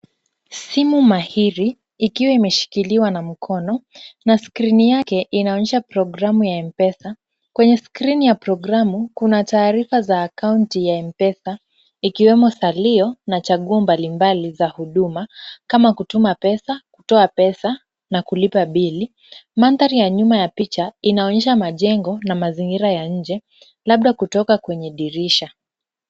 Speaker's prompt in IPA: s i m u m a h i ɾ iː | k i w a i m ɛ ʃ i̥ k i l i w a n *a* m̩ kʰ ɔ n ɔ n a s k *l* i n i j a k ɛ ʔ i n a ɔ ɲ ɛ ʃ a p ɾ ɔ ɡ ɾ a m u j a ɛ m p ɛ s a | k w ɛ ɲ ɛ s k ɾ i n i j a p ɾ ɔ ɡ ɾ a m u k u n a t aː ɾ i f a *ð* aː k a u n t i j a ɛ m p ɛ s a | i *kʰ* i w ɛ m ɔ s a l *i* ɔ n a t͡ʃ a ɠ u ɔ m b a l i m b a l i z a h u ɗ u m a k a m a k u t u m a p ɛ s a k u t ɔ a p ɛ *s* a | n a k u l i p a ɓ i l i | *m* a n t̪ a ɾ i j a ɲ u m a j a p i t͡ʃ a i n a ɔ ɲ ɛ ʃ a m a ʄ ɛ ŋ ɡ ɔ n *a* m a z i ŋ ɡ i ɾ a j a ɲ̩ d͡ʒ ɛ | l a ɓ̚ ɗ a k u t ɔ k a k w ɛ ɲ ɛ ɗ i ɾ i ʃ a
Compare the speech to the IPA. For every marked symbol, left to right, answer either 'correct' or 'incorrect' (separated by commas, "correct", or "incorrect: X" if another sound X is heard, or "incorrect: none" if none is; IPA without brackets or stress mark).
correct, incorrect: ɾ, incorrect: z, incorrect: k, correct, correct, correct, correct